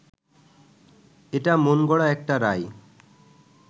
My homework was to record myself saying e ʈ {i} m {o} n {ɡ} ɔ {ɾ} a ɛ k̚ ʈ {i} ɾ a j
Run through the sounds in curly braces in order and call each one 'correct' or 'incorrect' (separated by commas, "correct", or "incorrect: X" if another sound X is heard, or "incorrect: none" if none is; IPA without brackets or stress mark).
incorrect: a, correct, correct, incorrect: ɽ, incorrect: a